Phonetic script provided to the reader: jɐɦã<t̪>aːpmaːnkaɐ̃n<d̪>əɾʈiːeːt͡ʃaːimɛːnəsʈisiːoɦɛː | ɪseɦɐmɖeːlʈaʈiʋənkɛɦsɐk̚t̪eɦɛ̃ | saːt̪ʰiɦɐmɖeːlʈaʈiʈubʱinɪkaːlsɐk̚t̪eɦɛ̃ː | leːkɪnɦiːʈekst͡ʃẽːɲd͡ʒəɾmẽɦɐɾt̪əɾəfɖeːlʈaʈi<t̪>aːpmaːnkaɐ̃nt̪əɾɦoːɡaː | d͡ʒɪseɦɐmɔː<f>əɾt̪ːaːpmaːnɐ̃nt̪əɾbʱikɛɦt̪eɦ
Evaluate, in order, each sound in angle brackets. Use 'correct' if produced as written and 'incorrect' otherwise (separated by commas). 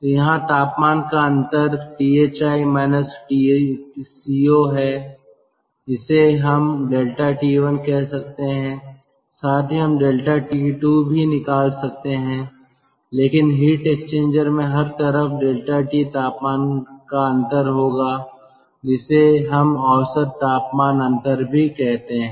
correct, incorrect, correct, incorrect